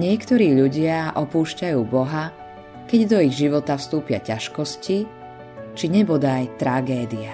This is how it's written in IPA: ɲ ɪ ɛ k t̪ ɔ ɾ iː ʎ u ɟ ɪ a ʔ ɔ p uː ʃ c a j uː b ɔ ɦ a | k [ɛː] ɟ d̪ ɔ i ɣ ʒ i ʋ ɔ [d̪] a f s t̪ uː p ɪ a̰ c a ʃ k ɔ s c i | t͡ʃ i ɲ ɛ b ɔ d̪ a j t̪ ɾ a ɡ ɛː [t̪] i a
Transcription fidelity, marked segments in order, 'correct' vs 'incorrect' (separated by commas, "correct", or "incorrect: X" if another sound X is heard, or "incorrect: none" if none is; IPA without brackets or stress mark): incorrect: ɛ, incorrect: t̪, incorrect: d̪